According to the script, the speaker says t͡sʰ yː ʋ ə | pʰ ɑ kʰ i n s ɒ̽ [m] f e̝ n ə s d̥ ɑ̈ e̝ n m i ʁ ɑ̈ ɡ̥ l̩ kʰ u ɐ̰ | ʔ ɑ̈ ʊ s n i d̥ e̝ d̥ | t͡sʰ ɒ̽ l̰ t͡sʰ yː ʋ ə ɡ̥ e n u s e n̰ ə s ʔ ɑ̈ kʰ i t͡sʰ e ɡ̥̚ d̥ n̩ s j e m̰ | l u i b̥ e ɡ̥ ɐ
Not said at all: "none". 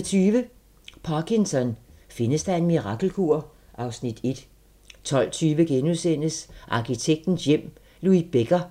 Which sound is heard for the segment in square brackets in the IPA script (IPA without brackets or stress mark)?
n